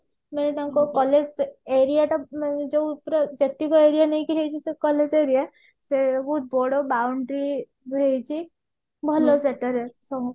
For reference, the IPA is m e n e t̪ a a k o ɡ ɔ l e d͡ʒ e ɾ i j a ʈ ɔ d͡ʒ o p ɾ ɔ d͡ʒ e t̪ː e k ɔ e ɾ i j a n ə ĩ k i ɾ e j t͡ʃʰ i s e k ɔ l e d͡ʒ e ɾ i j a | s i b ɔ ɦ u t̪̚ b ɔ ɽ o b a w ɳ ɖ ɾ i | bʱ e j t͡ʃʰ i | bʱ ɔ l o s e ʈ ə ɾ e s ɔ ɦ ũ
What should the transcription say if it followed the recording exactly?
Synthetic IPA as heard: m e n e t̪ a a k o k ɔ l e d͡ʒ e ɾ i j a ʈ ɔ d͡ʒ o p ɾ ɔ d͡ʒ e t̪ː i k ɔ e ɾ i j a n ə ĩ k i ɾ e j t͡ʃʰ i s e k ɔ l e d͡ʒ e ɾ i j a | s e b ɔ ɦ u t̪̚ b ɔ ɽ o b a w ɳ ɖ ɾ i | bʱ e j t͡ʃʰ i | bʱ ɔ l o s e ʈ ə ɾ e s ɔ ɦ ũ

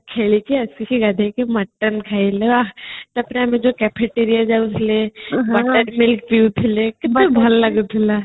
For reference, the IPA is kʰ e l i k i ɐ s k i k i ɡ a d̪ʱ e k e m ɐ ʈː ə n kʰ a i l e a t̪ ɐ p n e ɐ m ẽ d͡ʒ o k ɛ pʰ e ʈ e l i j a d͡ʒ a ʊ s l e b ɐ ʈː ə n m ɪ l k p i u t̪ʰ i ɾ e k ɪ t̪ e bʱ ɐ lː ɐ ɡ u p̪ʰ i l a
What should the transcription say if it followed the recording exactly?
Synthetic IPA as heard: kʰ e l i k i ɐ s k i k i ɡ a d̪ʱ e k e m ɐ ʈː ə n kʰ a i l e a t̪ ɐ p n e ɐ m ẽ d͡ʒ o k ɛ pʰ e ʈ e ɾ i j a d͡ʒ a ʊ s l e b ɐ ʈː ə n m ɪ l k p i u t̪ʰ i l e k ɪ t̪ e bʱ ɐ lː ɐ ɡ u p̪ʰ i l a

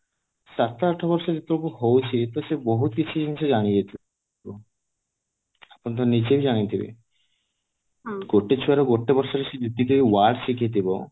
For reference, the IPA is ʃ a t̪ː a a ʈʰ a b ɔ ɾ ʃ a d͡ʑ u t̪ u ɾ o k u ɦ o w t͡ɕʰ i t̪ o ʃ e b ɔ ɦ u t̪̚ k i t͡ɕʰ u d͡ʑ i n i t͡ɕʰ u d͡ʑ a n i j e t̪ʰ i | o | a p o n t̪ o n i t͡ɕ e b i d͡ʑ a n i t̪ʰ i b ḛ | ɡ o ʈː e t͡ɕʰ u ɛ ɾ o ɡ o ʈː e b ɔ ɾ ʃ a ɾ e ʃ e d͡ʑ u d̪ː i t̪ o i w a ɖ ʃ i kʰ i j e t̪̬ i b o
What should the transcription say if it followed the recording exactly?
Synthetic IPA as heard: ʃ a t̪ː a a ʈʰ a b ɔ ɾ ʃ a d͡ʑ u t̪ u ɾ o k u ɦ o w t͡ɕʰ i t̪ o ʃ e b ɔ ɦ u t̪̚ k i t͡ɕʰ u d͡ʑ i n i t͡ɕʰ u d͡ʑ a n i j e t̪ʰ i | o | a p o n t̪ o n i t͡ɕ e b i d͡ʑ a n i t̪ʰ i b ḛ | ɡ o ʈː e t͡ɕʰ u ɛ ɾ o ɡ o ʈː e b ɔ ɾ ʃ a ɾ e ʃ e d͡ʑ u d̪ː i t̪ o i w a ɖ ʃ i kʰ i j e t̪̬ i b o

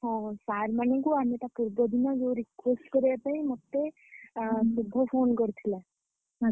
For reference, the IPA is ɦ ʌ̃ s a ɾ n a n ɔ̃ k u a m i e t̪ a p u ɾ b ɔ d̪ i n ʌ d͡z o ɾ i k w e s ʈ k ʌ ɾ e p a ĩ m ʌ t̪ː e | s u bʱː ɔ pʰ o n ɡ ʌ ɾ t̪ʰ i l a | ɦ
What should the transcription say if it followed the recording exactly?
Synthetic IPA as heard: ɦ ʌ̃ s a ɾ m a n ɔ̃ k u a m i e t̪ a p u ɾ b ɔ d̪ i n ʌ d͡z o ɾ i k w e s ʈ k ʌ ɾ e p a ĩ m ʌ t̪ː e | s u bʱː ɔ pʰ o n ɡ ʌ ɾ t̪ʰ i l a | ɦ

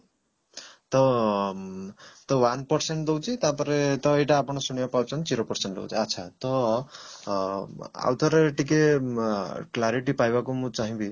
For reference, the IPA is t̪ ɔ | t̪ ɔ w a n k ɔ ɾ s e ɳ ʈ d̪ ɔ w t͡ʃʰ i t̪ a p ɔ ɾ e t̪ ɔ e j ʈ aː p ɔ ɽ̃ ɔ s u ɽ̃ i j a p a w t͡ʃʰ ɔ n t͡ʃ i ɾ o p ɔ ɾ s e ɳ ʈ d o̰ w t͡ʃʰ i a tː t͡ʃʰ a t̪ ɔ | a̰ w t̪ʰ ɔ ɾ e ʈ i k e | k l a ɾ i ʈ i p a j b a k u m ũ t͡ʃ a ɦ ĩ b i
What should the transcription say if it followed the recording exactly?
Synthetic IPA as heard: t̪ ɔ | t̪ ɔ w a n p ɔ ɾ s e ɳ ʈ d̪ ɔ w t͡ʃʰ i t̪ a p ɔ ɾ e t̪ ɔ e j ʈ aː p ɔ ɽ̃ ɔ s u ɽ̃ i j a p a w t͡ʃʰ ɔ n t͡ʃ i ɾ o p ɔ ɾ s e ɳ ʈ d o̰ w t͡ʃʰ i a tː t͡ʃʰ a t̪ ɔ | a̰ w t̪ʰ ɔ ɾ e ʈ i k e | k l a ɾ i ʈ i p a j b a k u m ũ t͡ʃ a ɦ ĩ b i

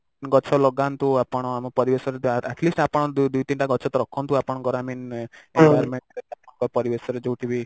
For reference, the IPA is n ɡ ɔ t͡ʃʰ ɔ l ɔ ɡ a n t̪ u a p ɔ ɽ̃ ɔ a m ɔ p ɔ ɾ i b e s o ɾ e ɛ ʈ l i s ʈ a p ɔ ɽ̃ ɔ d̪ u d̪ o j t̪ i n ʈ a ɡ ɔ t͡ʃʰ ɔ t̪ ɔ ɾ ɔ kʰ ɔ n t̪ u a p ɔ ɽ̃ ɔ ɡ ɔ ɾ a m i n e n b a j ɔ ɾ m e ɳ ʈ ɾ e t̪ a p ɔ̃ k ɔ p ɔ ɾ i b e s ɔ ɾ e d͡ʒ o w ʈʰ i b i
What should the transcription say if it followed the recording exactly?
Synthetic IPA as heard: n ɡ ɔ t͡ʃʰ ɔ l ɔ ɡ a n t̪ u a p ɔ ɽ̃ ɔ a m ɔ p ɔ ɾ i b e s ɔ ɾ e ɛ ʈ l i s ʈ a p ɔ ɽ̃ ɔ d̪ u d̪ u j t̪ i n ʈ a ɡ ɔ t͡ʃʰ ɔ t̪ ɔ ɾ ɔ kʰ ɔ n t̪ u a p ɔ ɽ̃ ɔ ɡ ɔ ɾ a m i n e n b a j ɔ ɾ m e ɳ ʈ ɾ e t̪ a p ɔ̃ k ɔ p ɔ ɾ i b e s ɔ ɾ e d͡ʒ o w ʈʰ i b i

